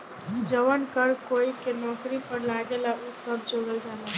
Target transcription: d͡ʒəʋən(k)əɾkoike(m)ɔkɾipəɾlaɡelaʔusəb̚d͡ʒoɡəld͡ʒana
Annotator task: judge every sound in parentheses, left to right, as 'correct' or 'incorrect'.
correct, incorrect: n

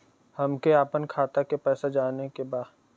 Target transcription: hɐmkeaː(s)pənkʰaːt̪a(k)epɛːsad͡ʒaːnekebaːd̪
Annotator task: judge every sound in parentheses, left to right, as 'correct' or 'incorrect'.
incorrect: none, correct

